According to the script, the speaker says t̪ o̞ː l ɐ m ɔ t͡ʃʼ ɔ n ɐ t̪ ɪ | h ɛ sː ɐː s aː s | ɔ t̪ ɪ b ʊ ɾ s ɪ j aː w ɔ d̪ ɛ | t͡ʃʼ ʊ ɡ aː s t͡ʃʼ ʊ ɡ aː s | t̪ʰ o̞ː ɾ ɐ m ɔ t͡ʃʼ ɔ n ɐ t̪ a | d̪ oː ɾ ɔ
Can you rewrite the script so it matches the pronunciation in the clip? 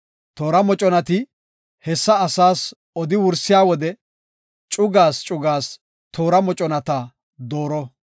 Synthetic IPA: t̪ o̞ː ɾ ɐ m ɔ t͡ʃʼ ɔ n ɐ t̪ ɪ | h ɛ sː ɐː s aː s | ɔ d̪ ɪ w ʊ ɾ s ɪ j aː w ɔ d̪ ɛ | t͡ʃʼ ʊ ɡ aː s t͡ʃʼ ʊ ɡ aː s | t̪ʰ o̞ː ɾ ɐ m ɔ t͡ʃʼ ɔ n ɐ t̪ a | d̪ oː ɾ ɔ